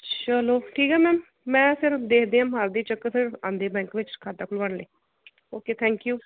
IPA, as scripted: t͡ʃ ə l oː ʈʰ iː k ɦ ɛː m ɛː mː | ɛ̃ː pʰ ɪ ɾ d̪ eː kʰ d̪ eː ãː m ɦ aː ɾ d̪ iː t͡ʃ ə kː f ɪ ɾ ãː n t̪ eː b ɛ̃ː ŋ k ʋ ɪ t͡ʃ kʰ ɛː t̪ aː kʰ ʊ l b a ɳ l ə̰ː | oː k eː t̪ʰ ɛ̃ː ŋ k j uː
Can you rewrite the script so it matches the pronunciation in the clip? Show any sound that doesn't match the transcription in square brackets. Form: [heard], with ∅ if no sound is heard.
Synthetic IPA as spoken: t͡ʃ ə l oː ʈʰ iː k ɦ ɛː m ɛː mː | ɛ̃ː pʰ ɪ ɾ d̪ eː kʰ d̪ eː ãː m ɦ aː ɾ d̪ iː t͡ʃ ə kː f ɪ ɾ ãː n [d̪] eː b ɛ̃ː ŋ k ʋ ɪ t͡ʃ kʰ [aː] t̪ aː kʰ ʊ l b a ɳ l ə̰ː | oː k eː t̪ʰ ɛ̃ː ŋ k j uː